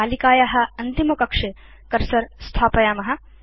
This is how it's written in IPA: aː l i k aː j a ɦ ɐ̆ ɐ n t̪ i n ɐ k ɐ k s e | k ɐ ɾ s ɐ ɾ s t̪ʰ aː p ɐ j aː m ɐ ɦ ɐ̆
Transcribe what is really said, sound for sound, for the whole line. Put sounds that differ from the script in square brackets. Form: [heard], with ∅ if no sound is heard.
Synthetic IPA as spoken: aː l i k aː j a ɦ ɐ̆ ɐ n t̪ i [m] ɐ k ɐ k [ʂ] e | k ɐ ɾ s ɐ ɾ s t̪ʰ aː p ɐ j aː m ɐ ɦ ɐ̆